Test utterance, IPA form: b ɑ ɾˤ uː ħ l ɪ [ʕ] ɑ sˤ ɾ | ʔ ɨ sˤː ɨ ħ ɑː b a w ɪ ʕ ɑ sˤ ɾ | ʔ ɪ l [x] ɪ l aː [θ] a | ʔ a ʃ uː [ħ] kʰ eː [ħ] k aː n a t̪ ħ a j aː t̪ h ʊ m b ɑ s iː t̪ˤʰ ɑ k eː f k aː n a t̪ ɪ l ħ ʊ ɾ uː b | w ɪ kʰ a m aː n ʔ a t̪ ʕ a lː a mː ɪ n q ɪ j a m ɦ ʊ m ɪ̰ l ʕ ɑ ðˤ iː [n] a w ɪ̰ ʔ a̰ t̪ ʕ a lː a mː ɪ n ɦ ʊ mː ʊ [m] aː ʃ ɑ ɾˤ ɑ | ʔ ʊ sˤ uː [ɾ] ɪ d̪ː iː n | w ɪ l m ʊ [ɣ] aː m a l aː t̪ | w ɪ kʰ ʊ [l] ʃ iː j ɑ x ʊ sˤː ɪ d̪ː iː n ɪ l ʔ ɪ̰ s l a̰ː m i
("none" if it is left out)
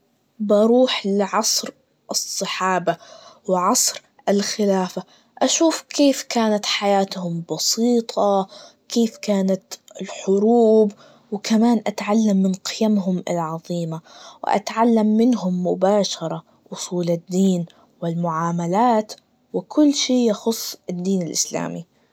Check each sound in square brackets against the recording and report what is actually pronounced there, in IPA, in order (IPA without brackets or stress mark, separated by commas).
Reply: ʕ, x, f, f, f, m, b, l, ʕ, lː